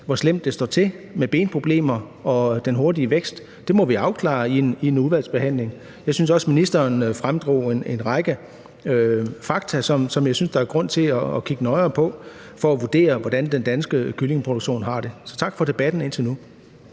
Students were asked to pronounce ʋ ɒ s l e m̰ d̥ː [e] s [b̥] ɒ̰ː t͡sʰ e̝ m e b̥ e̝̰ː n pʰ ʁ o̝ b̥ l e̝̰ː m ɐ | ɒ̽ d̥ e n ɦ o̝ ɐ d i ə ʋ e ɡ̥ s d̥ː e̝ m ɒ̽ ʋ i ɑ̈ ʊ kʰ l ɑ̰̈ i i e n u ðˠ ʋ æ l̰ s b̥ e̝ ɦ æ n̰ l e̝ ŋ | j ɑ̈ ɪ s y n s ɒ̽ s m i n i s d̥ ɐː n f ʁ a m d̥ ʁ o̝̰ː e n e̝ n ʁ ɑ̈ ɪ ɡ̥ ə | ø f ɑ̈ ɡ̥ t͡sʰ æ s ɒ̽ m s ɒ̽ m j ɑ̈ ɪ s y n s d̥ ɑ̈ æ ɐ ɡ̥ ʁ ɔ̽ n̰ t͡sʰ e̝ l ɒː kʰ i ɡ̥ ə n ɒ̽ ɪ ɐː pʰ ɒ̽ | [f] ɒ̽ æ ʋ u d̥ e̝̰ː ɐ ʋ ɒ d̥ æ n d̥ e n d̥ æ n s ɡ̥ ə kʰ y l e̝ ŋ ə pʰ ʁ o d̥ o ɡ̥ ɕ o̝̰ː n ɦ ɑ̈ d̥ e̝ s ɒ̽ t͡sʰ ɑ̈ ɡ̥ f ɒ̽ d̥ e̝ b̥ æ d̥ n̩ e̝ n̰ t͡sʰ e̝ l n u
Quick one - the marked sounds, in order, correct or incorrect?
correct, incorrect, correct

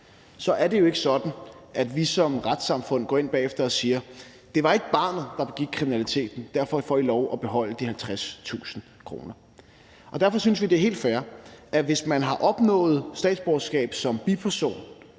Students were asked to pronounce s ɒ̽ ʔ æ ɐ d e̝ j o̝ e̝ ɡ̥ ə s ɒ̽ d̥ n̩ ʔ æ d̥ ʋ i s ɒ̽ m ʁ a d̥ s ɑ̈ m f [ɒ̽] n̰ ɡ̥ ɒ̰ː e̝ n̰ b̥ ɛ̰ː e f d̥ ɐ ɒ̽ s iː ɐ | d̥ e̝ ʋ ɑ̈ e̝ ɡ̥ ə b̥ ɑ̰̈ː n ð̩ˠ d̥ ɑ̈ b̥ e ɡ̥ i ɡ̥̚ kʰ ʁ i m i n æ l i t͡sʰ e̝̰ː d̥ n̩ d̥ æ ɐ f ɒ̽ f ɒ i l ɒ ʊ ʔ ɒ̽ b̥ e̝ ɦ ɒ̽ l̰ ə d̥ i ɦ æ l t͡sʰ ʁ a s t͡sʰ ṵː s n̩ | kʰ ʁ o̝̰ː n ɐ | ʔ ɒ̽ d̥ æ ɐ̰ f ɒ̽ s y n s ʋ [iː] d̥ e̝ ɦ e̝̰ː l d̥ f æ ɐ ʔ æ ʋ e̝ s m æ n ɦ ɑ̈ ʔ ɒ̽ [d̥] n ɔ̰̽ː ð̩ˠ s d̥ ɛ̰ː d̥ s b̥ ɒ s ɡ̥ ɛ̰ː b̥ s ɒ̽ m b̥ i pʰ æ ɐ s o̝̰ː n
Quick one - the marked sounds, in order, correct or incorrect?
incorrect, incorrect, incorrect

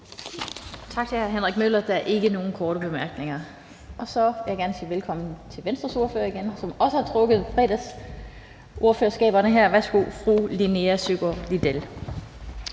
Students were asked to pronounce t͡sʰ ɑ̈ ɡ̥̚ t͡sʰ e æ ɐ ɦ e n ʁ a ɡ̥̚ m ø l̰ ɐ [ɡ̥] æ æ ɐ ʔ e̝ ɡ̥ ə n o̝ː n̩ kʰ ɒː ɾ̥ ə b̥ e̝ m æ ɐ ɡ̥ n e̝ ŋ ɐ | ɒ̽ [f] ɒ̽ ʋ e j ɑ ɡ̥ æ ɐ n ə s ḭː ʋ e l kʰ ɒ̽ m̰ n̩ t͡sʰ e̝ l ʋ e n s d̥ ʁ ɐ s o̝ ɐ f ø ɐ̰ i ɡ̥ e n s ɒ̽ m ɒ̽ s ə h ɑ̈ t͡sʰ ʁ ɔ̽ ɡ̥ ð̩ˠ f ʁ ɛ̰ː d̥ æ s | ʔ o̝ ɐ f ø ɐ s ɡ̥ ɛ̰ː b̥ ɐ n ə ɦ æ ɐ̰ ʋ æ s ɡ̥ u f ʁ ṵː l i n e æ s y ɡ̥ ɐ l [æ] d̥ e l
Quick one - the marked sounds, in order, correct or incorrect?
incorrect, incorrect, incorrect

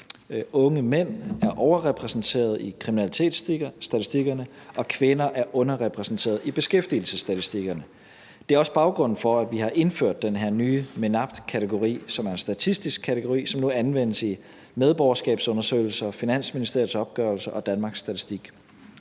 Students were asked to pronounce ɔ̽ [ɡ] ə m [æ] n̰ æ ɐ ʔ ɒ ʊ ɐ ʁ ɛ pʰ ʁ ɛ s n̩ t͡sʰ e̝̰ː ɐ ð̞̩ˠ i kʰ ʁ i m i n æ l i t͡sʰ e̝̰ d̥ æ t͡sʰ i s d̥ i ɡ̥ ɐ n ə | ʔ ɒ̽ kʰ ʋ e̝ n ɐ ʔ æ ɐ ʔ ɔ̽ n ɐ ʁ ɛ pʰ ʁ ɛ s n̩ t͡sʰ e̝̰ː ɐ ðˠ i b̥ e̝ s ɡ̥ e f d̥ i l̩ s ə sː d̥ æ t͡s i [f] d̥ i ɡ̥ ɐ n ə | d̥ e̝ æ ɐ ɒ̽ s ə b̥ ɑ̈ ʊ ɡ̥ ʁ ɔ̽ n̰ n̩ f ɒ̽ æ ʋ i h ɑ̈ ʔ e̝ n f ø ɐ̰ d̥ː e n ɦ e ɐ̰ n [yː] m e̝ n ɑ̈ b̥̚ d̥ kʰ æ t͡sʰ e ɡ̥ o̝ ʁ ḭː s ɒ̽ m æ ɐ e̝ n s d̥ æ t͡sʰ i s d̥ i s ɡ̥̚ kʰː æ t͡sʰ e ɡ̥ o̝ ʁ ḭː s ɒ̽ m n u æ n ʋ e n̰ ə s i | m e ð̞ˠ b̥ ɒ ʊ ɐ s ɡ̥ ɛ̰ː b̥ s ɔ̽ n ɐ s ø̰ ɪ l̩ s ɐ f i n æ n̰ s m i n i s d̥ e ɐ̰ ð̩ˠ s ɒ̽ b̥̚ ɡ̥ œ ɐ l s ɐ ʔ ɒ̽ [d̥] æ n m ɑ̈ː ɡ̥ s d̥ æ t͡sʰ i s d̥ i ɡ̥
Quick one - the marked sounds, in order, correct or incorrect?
incorrect, incorrect, incorrect, correct, correct

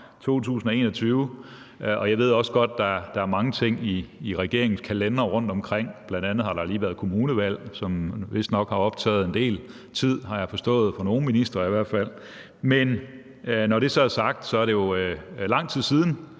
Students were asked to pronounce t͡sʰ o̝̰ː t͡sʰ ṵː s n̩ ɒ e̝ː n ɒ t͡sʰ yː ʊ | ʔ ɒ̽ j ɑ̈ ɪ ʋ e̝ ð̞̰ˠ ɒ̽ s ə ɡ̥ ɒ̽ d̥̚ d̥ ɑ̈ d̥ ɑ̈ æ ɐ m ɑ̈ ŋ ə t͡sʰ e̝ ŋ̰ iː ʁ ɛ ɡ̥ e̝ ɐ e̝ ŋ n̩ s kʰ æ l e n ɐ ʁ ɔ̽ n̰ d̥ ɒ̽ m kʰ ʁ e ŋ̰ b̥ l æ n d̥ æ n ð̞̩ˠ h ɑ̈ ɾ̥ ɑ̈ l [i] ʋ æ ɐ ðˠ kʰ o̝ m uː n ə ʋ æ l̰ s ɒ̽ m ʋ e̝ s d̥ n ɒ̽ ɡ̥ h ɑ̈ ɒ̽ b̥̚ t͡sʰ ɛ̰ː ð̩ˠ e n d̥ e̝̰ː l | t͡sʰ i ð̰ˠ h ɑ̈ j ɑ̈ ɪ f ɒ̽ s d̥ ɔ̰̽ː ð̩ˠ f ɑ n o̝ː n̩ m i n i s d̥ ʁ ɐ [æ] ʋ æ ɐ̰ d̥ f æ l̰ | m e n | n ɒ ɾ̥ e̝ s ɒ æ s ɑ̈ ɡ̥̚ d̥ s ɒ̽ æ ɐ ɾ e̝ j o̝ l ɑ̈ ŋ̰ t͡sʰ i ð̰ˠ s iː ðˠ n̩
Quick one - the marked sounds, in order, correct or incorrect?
incorrect, incorrect

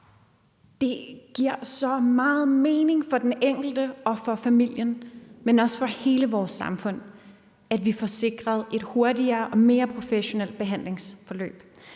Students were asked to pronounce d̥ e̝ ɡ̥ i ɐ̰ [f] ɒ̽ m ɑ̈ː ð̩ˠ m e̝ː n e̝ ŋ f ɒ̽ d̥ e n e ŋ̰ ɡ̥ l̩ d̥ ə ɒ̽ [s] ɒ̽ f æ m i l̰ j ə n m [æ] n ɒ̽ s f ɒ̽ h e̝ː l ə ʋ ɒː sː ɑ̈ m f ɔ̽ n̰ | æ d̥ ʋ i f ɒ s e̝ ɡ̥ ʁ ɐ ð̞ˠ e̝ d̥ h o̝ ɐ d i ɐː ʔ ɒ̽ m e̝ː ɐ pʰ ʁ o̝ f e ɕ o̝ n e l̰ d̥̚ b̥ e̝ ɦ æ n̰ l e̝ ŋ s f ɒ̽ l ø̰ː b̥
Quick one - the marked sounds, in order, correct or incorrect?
incorrect, incorrect, incorrect

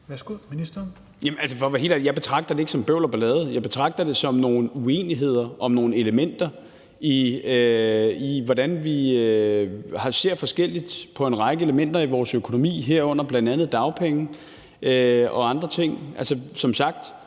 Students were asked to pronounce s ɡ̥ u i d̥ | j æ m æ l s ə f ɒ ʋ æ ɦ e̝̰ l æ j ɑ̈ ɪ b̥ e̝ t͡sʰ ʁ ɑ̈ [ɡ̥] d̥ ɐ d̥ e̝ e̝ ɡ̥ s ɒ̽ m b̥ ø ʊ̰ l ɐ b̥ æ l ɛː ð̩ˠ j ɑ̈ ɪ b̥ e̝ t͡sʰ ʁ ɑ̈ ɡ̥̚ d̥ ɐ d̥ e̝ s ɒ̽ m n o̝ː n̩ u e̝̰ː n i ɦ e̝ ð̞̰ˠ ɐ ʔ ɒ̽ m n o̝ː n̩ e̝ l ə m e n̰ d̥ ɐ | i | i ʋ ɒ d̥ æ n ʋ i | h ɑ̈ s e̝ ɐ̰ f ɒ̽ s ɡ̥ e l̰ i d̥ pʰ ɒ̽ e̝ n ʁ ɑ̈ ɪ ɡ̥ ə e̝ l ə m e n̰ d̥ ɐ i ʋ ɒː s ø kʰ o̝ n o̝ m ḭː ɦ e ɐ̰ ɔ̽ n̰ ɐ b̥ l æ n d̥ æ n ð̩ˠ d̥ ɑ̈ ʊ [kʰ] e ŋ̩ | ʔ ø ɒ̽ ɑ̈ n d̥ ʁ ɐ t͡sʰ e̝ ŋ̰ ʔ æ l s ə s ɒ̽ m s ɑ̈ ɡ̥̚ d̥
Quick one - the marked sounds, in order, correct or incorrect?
correct, incorrect

